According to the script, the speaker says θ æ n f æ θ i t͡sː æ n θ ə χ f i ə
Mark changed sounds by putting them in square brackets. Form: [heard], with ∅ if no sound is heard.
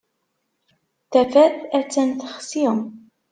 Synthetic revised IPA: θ æ [∅] f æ θ [æ] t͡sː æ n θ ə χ [s] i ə